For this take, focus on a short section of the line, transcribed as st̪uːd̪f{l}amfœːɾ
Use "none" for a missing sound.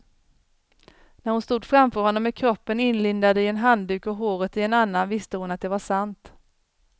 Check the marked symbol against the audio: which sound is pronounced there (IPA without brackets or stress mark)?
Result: ɾ